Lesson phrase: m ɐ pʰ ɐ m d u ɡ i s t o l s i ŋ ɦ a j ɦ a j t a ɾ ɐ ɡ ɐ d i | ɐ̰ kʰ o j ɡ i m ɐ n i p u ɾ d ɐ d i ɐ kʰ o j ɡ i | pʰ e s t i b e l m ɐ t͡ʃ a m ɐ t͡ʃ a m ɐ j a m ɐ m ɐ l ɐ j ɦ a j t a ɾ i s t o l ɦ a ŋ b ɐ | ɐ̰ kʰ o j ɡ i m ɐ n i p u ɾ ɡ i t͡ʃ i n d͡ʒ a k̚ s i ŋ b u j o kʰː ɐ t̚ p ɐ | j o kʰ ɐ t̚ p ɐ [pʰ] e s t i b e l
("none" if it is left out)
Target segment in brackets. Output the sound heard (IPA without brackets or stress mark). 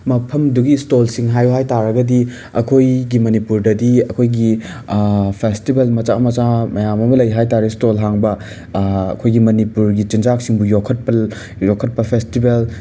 pʰ